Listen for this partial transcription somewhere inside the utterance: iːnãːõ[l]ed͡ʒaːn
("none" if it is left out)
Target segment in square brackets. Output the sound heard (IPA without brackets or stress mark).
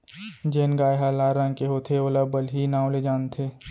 l